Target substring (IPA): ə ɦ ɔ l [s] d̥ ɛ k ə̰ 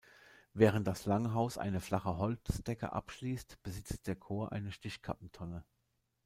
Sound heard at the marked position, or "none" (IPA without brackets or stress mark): t͡s